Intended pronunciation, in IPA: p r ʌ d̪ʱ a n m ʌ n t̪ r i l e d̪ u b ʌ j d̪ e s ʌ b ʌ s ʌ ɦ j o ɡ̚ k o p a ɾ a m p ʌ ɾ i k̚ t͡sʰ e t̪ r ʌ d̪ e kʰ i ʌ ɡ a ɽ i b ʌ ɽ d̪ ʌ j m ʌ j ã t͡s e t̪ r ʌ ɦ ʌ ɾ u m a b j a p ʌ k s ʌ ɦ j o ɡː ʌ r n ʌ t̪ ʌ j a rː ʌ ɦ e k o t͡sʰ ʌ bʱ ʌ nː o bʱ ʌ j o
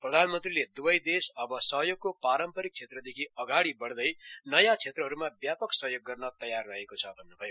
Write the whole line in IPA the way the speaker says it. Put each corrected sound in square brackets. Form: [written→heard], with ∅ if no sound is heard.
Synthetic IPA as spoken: p r ʌ d̪ʱ a n m ʌ n t̪ r i l e d̪ u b ʌ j d̪ e s ʌ b ʌ s ʌ ɦ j o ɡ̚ k o p a ɾ [a→ʌ] m p ʌ ɾ i k̚ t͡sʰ e t̪ r ʌ d̪ e kʰ i ʌ ɡ a ɽ i b ʌ ɽ d̪ ʌ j [m→n] ʌ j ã [t͡s→t͡sʰ] e t̪ r ʌ ɦ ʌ ɾ u m a b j a p ʌ k s ʌ ɦ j o ɡː ʌ r n ʌ t̪ ʌ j a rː ʌ ɦ e k o t͡sʰ ʌ bʱ ʌ nː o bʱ ʌ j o